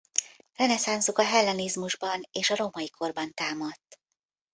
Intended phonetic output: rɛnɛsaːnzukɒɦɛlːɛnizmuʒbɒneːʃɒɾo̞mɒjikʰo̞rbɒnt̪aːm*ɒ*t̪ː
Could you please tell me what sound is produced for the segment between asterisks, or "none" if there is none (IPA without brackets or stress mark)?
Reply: ɒ